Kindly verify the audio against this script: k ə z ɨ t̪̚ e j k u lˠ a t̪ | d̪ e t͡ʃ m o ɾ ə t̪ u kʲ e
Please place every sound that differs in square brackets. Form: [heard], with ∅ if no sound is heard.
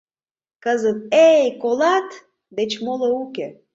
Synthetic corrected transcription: k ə z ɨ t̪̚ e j k [o] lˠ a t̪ | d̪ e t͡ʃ m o [l] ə [∅] u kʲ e